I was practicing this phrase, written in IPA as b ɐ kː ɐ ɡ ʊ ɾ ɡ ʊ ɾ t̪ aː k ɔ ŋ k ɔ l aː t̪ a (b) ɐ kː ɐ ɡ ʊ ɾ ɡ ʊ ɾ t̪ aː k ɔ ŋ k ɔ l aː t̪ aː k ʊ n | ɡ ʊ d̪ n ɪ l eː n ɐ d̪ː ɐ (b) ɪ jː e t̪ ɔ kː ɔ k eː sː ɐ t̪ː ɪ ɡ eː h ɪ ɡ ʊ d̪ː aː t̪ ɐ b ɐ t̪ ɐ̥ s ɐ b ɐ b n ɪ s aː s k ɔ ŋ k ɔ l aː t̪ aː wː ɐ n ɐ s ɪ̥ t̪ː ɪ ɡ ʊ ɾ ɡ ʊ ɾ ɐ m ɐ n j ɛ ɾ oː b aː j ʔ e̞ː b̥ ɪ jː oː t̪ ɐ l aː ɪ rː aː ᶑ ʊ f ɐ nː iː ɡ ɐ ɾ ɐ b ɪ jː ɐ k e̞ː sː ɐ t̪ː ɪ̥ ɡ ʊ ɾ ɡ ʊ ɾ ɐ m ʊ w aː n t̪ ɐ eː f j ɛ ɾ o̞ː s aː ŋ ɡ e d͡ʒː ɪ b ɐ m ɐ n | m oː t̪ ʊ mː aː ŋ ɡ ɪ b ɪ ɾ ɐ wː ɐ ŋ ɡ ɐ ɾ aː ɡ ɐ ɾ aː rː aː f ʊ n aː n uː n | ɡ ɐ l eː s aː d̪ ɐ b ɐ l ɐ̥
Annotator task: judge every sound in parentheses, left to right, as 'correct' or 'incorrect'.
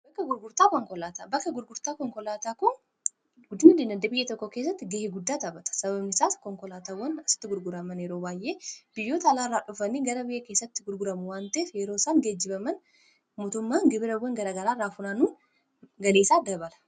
correct, correct

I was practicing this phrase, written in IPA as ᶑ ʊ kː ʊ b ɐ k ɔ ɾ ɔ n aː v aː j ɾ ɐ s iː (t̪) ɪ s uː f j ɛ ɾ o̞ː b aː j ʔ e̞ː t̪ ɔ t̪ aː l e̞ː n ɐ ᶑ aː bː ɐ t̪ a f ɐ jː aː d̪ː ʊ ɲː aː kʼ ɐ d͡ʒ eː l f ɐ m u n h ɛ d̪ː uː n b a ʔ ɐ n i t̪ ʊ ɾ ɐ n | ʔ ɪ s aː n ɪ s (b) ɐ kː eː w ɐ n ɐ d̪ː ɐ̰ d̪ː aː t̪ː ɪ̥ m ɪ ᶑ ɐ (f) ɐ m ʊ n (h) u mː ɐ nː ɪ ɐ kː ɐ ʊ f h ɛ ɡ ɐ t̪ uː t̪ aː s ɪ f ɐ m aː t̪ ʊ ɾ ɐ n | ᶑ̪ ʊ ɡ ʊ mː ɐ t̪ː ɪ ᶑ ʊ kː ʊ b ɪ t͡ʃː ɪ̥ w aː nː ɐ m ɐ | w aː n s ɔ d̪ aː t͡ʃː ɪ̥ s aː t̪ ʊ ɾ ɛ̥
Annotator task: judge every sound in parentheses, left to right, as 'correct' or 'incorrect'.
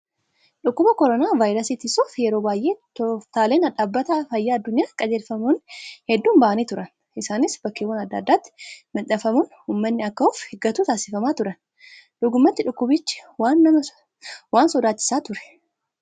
correct, correct, correct, correct

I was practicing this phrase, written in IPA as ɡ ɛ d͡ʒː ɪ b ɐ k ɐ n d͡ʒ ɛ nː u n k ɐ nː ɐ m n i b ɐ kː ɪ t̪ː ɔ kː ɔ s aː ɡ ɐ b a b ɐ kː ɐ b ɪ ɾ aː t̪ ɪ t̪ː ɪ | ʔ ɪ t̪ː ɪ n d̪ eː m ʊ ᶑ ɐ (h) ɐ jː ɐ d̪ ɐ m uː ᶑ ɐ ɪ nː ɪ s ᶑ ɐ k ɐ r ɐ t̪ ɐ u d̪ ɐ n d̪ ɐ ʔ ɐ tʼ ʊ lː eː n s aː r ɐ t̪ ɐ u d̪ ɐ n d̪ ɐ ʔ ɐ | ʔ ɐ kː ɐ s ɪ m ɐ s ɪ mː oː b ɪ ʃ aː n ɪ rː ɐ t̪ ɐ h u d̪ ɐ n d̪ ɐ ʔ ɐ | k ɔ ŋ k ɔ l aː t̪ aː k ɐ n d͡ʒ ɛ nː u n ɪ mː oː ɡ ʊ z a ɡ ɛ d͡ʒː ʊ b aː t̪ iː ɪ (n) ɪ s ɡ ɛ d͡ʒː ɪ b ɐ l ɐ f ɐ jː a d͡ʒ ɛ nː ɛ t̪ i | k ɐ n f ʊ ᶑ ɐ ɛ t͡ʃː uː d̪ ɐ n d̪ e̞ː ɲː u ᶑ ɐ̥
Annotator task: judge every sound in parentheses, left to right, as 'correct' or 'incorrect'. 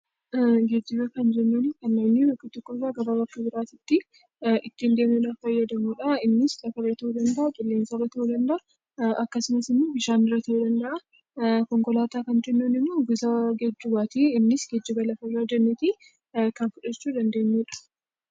incorrect, incorrect

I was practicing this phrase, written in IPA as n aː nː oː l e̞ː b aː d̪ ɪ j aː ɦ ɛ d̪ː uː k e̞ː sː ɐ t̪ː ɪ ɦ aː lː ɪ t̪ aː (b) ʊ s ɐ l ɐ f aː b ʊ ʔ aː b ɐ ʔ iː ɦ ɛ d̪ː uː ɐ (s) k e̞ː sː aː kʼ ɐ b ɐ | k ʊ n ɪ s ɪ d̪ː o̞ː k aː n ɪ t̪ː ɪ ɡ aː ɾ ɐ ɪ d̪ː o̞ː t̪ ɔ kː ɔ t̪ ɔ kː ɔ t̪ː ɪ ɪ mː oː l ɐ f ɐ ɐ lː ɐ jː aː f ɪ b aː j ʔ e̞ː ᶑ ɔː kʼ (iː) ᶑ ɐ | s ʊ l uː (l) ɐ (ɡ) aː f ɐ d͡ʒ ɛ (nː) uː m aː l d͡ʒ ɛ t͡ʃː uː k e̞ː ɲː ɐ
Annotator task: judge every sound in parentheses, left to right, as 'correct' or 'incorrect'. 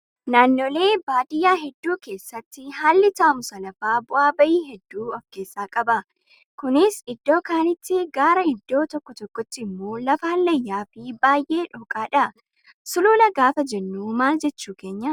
incorrect, incorrect, incorrect, correct, correct, correct

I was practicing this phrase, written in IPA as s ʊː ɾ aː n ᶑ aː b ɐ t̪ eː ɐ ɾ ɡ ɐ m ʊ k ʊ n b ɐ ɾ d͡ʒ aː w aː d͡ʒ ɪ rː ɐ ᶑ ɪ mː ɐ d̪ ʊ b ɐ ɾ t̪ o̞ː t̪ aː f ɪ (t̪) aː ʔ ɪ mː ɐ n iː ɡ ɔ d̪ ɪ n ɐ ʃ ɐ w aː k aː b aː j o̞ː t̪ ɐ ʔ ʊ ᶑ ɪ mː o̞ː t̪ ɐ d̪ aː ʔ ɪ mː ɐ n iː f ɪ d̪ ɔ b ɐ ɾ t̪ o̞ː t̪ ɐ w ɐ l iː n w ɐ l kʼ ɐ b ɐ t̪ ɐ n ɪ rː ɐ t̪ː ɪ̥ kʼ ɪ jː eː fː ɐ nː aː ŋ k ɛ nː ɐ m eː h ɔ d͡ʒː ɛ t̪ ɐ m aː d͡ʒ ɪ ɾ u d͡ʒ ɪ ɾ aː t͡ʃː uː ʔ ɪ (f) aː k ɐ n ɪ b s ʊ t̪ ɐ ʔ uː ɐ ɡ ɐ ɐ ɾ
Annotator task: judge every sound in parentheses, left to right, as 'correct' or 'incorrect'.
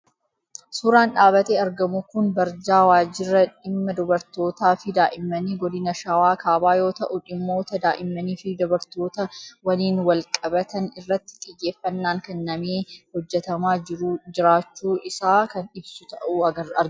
incorrect, incorrect

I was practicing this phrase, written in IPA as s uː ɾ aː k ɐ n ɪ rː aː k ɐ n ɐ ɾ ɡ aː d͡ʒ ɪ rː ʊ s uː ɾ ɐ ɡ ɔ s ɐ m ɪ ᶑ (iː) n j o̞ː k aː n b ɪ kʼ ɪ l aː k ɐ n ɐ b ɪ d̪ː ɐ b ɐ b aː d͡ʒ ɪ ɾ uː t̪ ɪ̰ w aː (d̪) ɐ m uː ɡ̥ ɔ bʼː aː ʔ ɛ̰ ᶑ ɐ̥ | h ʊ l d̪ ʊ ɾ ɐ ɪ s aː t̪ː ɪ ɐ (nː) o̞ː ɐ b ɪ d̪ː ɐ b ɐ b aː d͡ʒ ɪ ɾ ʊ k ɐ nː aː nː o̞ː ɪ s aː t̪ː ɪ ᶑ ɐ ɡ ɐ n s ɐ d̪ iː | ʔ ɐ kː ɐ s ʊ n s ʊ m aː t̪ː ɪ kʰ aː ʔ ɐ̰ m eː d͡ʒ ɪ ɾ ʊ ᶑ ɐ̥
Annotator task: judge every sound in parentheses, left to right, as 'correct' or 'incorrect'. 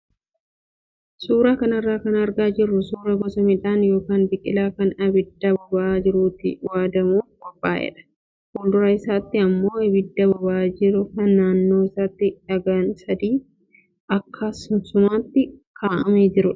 incorrect, correct, incorrect

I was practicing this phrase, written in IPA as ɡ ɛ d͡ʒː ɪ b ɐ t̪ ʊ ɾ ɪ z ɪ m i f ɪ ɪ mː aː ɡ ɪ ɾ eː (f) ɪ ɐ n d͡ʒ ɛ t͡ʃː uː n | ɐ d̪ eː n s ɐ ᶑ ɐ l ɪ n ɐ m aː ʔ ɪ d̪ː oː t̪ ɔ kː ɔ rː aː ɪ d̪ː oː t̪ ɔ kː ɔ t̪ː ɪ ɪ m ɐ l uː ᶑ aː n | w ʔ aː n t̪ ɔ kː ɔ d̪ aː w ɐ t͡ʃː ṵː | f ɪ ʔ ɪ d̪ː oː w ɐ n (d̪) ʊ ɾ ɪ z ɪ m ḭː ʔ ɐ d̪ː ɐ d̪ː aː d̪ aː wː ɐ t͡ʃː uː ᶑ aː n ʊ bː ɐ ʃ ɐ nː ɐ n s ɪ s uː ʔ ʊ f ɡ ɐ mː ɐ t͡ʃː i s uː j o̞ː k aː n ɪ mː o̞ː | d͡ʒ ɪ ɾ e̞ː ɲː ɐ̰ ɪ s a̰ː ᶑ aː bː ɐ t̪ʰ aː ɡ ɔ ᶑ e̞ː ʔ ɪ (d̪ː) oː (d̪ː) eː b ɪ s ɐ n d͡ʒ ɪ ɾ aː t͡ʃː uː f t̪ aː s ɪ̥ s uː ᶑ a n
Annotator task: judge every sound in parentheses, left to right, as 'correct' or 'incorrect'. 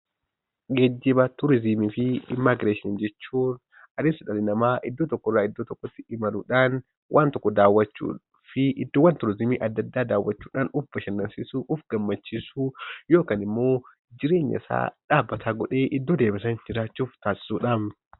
incorrect, incorrect, correct, incorrect

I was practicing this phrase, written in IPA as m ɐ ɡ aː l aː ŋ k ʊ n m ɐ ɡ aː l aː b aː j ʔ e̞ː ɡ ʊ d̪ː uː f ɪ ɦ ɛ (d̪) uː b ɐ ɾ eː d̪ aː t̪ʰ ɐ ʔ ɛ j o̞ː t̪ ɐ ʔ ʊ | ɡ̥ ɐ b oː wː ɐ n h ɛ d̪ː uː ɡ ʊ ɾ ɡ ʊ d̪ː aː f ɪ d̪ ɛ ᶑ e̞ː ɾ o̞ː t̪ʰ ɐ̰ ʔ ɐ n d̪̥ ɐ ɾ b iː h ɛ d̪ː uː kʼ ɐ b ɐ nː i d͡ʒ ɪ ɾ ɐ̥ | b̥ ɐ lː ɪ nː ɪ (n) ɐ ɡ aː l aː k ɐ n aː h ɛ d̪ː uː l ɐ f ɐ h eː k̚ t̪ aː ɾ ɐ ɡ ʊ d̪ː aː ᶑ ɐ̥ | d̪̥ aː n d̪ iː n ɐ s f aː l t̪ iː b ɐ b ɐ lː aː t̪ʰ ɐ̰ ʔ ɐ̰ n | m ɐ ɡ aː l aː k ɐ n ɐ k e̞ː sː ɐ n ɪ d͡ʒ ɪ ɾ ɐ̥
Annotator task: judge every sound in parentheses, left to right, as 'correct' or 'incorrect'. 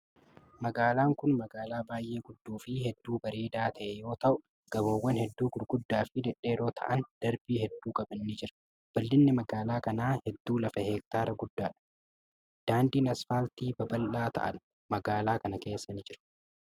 incorrect, incorrect

